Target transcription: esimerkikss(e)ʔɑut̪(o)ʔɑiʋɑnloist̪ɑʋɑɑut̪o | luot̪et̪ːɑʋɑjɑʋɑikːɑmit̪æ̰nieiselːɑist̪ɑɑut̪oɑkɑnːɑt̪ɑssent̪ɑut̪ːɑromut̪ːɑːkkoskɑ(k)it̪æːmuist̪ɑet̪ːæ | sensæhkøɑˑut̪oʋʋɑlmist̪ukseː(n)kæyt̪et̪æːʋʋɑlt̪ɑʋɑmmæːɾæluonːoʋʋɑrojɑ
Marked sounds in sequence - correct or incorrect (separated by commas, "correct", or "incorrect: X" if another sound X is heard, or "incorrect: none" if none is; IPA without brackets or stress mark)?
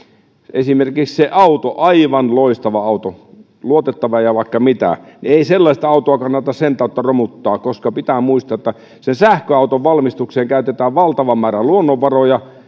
correct, correct, incorrect: p, incorrect: ŋ